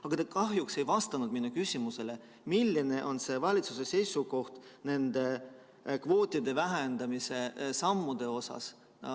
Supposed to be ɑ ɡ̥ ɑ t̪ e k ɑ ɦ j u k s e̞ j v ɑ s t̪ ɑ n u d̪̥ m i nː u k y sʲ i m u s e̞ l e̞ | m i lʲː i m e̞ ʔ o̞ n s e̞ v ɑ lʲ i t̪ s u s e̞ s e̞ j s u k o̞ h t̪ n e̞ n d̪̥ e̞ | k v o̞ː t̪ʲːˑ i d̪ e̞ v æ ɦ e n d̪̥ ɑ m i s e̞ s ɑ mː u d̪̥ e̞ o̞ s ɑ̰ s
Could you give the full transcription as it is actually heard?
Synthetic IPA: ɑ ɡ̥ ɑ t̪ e k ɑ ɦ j u k s e̞ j v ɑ s t̪ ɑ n u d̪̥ m i nː u k y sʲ i m u s e̞ l e̞ | m i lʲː i n e̞ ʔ o̞ n s e̞ v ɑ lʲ i t̪ s u s e̞ s e̞ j s u k o̞ h t̪ n e̞ n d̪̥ e̞ | k v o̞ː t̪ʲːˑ i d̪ e̞ v æ ɦ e n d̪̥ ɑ m i s e̞ s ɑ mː u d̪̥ e̞ o̞ s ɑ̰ s